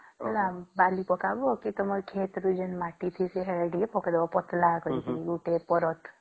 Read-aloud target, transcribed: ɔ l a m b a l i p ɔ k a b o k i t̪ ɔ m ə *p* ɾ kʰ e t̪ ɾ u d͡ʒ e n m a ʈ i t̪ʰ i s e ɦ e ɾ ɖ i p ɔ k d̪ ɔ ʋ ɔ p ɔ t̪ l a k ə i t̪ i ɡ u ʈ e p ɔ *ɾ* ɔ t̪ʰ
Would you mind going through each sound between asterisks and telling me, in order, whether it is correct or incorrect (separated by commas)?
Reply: incorrect, correct